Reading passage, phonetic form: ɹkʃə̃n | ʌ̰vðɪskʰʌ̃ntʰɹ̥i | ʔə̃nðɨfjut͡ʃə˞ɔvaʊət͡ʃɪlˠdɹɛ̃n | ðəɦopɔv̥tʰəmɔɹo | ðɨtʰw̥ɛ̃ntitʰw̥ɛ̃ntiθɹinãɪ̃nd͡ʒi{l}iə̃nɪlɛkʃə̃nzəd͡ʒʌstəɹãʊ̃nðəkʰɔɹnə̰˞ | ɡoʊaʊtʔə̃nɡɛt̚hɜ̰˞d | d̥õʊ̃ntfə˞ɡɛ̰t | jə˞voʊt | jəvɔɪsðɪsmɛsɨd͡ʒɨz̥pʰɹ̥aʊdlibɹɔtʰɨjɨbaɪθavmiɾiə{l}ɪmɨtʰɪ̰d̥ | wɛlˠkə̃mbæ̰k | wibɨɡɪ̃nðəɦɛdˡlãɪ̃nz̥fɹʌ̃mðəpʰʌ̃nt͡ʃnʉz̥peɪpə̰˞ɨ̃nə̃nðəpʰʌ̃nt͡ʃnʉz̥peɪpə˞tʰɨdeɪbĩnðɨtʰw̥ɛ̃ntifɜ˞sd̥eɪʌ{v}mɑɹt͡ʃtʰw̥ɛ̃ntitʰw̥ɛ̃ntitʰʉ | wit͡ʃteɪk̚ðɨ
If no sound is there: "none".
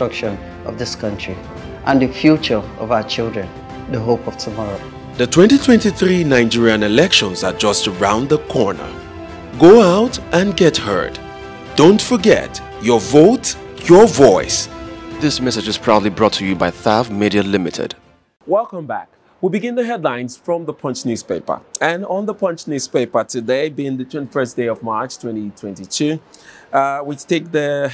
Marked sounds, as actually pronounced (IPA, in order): ɹ, l, v

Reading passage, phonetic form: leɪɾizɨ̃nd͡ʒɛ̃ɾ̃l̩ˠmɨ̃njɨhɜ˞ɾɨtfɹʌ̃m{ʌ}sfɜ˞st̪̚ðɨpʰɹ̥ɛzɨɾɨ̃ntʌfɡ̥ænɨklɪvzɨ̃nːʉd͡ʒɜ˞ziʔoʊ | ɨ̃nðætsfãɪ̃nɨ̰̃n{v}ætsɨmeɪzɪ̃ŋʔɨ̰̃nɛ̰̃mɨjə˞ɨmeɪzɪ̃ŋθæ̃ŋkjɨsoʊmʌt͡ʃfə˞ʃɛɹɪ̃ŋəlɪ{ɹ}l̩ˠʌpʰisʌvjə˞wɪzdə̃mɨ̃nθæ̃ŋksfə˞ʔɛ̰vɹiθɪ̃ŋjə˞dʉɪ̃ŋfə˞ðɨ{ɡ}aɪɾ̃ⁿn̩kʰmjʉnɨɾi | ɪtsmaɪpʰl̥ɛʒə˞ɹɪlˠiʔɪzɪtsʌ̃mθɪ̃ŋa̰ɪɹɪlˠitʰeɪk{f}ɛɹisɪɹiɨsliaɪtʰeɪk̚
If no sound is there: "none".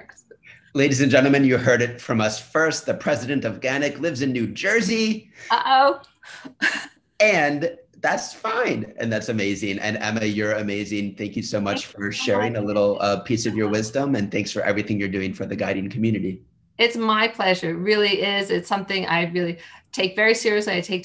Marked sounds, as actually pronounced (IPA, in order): ʌ, ð, ɾ, ɡ, v

